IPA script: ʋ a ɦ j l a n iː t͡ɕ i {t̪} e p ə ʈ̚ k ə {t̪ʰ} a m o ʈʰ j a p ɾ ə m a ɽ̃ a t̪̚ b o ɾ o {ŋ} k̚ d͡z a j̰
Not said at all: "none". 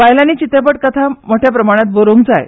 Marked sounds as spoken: t̪, t̪ʰ, ŋ

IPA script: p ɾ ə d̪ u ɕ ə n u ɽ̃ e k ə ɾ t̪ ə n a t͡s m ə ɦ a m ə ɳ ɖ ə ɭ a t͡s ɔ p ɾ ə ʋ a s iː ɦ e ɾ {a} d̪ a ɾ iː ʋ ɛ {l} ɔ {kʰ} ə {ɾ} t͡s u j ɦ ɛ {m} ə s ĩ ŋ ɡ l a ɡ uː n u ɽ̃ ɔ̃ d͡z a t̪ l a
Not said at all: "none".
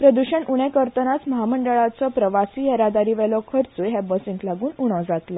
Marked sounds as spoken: a, l, kʰ, ɾ, b

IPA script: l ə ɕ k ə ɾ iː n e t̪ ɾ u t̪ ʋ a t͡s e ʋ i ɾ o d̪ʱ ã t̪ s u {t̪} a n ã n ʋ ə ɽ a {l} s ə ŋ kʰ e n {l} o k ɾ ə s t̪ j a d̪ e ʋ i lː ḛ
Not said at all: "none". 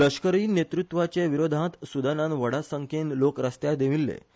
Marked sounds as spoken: d̪, none, l

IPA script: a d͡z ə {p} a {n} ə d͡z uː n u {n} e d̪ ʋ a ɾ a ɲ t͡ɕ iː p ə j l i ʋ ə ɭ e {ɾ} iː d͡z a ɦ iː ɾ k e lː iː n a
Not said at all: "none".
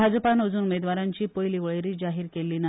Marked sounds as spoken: p, n, m, ɾ

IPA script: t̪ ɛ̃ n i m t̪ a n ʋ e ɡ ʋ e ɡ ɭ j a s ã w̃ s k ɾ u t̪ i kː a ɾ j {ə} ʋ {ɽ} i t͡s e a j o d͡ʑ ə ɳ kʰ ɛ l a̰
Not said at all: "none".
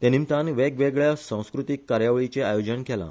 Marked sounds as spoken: a, ɭ

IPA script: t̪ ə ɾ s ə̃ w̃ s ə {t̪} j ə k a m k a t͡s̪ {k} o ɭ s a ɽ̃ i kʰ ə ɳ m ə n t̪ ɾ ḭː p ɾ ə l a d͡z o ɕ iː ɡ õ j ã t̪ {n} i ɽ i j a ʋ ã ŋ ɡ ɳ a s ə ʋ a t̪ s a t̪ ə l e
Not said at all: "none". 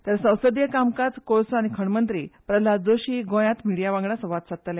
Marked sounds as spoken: d̪, k, m

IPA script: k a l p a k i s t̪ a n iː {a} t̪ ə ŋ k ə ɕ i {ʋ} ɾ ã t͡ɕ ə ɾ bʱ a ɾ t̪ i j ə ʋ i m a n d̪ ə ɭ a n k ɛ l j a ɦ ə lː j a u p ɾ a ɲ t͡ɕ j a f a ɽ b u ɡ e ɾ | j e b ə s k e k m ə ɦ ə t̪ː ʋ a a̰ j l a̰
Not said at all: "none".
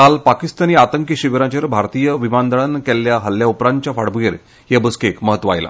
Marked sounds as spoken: a, ʋ

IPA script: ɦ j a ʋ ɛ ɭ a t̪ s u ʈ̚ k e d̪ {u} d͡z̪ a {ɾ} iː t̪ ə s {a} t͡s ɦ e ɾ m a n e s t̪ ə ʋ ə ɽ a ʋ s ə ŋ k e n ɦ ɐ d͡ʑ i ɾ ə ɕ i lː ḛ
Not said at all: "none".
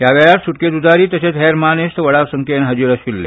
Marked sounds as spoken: u, ɾ, e

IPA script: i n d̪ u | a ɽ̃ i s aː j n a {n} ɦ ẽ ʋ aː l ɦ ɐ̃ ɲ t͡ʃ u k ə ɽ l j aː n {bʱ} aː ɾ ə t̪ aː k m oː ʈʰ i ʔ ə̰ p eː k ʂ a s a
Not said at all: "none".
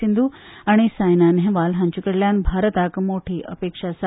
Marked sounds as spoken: n, bʱ

